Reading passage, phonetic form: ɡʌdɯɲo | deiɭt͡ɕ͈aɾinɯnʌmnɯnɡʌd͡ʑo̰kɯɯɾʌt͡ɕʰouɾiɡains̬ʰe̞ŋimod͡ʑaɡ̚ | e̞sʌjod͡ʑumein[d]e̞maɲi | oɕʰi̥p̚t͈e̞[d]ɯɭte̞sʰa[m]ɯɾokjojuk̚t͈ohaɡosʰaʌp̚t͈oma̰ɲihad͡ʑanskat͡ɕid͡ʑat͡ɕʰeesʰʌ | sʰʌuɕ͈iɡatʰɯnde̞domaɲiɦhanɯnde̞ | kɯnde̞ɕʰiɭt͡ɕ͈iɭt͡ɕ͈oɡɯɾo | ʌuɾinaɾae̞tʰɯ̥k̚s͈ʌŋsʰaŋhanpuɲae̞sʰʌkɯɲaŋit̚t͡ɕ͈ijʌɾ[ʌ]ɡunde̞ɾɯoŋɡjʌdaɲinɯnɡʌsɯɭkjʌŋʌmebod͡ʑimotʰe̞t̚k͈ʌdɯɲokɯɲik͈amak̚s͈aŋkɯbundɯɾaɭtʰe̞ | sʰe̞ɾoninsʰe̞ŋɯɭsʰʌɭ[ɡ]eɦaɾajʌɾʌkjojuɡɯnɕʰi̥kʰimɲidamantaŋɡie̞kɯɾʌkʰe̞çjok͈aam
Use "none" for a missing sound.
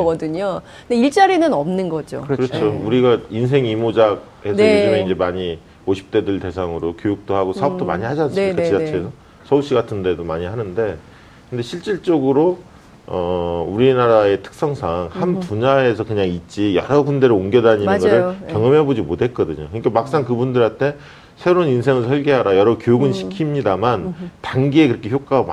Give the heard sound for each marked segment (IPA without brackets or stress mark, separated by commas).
d͡ʑ, d, ŋ, ʌ, ɡ